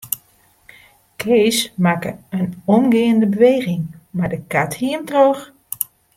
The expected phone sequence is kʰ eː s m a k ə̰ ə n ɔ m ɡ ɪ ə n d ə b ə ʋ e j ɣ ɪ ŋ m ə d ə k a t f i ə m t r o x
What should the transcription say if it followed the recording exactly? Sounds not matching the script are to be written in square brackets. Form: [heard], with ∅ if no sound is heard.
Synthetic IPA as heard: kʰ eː s m a k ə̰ ə n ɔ m ɡ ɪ ə n d ə b ə ʋ e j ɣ ɪ ŋ m [a] d ə k a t [h] i ə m t r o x